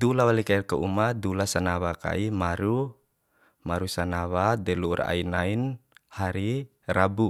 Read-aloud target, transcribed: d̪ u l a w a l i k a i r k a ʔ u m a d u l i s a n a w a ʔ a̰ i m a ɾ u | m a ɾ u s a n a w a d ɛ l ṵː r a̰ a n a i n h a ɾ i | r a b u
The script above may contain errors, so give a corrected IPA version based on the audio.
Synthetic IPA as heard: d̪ u l a w a l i k a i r k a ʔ u m a d u l a s a n a w a k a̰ i m a ɾ u | m a ɾ u s a n a w a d ɛ l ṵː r a̰ i n a i n h a ɾ i | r a b u